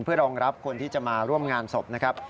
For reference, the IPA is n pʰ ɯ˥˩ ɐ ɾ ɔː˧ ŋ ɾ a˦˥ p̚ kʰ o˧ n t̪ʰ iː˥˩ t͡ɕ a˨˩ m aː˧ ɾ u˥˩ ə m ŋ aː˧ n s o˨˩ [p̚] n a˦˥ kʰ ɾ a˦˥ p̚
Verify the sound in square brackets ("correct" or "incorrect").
correct